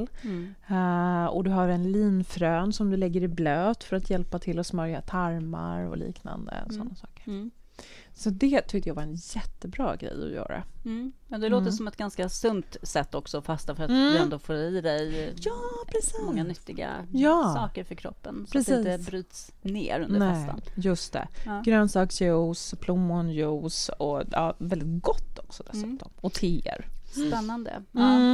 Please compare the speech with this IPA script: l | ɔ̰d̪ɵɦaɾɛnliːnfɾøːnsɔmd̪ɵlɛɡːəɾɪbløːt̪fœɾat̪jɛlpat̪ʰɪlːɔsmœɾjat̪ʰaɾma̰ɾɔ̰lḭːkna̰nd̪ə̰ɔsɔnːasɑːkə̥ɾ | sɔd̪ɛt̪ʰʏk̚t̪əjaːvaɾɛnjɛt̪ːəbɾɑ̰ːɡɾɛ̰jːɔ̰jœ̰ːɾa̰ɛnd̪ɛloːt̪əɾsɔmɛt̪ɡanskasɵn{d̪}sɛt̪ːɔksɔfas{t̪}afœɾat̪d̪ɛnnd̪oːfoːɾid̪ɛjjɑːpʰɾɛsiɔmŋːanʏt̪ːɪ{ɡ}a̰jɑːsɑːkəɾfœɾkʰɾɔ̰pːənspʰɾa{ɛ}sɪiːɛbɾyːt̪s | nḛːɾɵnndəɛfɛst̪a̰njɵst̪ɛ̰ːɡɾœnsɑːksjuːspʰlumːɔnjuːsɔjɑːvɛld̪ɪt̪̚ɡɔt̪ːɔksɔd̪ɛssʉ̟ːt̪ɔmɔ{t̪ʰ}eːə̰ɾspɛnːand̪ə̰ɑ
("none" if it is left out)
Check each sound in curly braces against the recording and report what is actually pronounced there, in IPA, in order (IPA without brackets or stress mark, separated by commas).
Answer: t̪, t̪, ɡ, ɛ, t̪ʰ